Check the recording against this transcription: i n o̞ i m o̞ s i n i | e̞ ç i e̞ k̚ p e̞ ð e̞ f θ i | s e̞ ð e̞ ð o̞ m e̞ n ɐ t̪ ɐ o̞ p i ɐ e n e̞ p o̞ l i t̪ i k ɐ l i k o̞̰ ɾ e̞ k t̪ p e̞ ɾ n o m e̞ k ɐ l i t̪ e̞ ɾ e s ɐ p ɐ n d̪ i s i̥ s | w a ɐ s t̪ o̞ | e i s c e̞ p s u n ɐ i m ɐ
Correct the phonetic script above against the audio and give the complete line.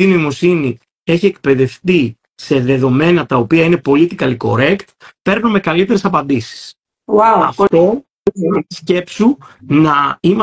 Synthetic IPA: i n o̞ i m o̞ s i n i | e̞ ç i e̞ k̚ p e̞ ð e̞ f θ i | s e̞ ð e̞ ð o̞ m e̞ n ɐ t̪ ɐ o̞ p i ɐ i n e̞ p o̞ l i t̪ i k ɐ l i k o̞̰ ɾ e̞ k t̪ p e̞ ɾ n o m e̞ k ɐ l i t̪ e̞ ɾ e s ɐ p ɐ n d̪ i s i̥ s | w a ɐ f t̪ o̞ | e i s c e̞ p s u n ɐ i m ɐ